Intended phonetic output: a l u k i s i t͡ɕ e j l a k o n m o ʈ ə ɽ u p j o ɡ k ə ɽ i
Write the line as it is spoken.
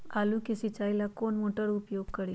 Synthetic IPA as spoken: a l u k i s i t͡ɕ a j l a k o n m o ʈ ə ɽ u p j o ɡ k ə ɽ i